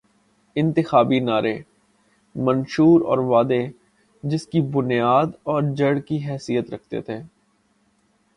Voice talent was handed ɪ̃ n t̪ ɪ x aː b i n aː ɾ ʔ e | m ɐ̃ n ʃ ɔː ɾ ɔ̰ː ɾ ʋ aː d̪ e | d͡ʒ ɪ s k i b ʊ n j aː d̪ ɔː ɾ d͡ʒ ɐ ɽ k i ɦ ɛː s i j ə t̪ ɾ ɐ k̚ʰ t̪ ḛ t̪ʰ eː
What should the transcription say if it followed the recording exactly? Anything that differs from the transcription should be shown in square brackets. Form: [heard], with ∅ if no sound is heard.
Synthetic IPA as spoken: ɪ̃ n t̪ ɪ x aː b i n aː ɾ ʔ e | m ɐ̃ n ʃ [uː] ɾ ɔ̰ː ɾ ʋ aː d̪ e | d͡ʒ ɪ s k i b ʊ n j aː d̪ ɔː ɾ d͡ʒ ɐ ɽ k i ɦ ɛː s i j ə t̪ ɾ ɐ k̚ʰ t̪ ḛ t̪ʰ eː